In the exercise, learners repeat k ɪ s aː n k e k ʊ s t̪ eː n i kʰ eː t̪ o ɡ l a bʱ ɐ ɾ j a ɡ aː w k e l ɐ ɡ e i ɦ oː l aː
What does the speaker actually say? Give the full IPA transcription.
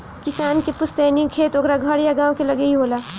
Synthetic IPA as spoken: k ɪ s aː n k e p ʊ s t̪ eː n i kʰ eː t̪ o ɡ ɾ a ɡʱ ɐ ɾ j a ɡ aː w k e l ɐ ɡ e i ɦ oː l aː